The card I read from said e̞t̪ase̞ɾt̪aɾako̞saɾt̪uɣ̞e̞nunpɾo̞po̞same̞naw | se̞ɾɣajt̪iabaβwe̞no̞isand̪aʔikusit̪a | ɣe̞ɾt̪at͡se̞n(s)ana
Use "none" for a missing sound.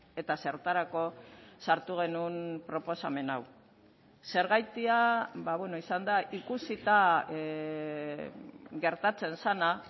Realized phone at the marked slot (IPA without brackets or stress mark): s